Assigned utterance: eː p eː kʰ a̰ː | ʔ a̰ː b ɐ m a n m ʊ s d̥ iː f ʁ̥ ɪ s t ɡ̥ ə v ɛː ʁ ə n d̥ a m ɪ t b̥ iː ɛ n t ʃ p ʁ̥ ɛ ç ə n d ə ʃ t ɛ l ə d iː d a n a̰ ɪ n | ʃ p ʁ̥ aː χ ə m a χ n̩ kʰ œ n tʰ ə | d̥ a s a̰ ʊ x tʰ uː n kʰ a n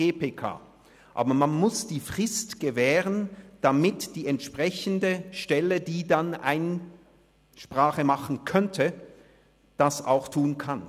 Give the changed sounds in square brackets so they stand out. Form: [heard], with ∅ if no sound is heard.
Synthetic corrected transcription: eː p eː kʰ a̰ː | ʔ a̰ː b ɐ m a n m ʊ s d̥ iː f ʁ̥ ɪ s t ɡ̥ ə v ɛː ʁ ə n d̥ a m ɪ t [d̥] iː ɛ n t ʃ p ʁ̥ ɛ ç ə n d ə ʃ t ɛ l ə d iː d a n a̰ ɪ n | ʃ p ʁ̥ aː χ ə m a χ n̩ kʰ œ n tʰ ə | d̥ a s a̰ ʊ x tʰ uː n kʰ a n